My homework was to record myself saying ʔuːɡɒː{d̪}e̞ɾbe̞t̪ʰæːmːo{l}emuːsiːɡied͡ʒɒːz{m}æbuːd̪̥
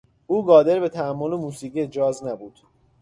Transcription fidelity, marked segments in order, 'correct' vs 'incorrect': correct, correct, incorrect: n

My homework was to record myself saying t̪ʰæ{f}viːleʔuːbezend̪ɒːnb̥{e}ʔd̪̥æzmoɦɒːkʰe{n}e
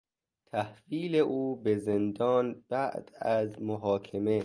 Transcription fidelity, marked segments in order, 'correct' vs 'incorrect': incorrect: h, incorrect: æ, incorrect: m

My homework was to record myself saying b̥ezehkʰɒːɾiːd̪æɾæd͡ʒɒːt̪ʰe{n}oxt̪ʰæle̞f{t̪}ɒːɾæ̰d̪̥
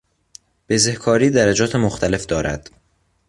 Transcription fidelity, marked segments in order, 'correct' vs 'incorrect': incorrect: m, incorrect: d̪

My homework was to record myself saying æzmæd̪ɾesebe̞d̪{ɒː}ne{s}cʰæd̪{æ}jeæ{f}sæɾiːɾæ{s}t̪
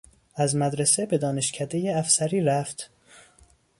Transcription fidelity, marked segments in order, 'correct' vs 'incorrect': correct, incorrect: ʃ, incorrect: e, correct, incorrect: f

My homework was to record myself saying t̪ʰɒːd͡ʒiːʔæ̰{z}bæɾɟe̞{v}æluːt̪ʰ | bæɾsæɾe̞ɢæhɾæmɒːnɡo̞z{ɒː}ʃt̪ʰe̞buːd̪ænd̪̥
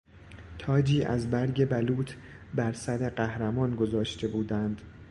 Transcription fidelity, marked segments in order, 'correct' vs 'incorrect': correct, incorrect: b, correct

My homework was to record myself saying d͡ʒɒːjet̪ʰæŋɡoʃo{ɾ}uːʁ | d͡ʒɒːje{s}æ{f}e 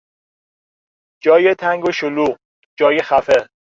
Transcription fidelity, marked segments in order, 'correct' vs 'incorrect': incorrect: l, incorrect: x, correct

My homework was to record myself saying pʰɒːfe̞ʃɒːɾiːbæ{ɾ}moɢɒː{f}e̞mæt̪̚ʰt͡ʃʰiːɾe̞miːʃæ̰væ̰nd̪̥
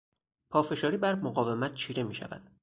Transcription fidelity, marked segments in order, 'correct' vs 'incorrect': correct, incorrect: v

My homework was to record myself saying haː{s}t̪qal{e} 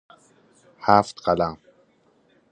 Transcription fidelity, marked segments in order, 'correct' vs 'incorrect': incorrect: f, incorrect: a

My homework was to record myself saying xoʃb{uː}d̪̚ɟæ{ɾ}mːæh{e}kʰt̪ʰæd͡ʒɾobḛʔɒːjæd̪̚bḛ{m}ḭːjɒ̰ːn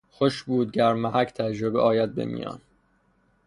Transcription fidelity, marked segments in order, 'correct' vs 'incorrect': correct, correct, incorrect: æ, correct

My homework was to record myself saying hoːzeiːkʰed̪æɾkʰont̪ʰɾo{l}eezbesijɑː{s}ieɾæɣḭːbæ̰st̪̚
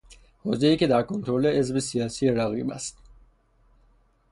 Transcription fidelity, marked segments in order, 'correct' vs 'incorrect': correct, correct

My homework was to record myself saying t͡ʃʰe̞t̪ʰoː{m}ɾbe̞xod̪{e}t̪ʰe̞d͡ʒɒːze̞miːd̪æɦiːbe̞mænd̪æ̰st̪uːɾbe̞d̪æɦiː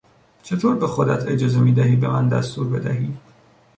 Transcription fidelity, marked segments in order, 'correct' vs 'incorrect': incorrect: none, incorrect: æ

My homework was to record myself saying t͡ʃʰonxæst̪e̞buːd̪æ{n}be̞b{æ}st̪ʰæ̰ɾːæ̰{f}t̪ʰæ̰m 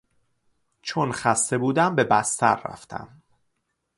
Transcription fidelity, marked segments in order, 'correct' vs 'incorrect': incorrect: m, correct, correct

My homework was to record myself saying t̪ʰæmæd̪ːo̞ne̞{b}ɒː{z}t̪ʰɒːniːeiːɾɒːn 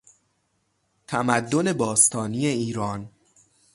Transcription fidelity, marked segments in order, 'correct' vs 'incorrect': correct, incorrect: s

